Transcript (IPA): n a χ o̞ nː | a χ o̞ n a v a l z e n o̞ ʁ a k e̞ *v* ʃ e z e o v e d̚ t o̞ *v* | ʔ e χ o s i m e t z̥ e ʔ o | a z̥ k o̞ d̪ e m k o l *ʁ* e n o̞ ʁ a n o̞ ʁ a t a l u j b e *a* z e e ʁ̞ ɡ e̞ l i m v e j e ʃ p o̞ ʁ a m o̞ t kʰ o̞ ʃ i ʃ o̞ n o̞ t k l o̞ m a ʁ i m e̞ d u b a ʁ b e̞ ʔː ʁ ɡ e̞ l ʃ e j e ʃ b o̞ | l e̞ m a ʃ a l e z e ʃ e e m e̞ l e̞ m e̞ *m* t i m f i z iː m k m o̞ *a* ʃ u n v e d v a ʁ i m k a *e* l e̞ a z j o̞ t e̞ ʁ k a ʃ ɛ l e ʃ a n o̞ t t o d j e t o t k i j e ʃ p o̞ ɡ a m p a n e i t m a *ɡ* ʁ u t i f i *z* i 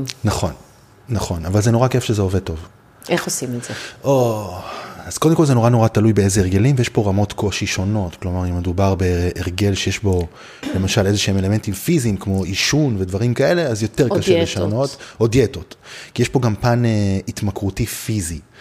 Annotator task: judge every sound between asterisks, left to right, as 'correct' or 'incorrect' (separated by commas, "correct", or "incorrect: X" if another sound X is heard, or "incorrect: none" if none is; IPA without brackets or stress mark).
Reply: incorrect: f, correct, incorrect: z, incorrect: e, incorrect: n, incorrect: i, correct, incorrect: k, correct